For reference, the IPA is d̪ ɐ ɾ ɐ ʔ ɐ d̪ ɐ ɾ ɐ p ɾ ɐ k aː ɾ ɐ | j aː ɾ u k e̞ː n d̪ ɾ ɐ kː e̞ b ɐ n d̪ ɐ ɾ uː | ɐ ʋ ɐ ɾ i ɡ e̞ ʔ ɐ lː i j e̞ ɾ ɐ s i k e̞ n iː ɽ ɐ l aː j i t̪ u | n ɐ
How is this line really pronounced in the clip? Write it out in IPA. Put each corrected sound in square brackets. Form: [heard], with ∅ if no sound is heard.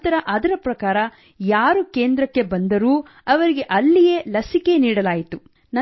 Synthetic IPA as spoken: [t̪] ɐ ɾ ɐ ʔ ɐ d̪ ɐ ɾ ɐ p ɾ ɐ k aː ɾ ɐ | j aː ɾ u k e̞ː n d̪ ɾ ɐ kː e̞ b ɐ n d̪ ɐ ɾ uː | ɐ ʋ ɐ ɾ i ɡ e̞ ʔ ɐ lː i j e̞ [l] ɐ s i k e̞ n iː ɽ ɐ l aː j i t̪ u | n ɐ